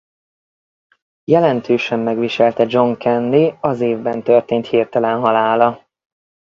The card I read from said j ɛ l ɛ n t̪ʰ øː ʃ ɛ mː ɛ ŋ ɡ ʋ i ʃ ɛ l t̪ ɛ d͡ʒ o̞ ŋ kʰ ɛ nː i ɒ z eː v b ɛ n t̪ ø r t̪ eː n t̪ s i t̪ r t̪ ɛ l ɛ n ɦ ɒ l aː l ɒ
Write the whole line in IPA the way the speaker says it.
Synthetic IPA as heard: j ɛ l ɛ n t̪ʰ øː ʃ ɛ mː ɛ ɡ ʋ i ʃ ɛ l t̪ ɛ d͡ʒ o̞ ŋ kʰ ɛ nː i ɒ z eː v b ɛ n t̪ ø r t̪ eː n t̪ h i r t̪ ɛ l ɛ n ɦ ɒ l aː l ɒ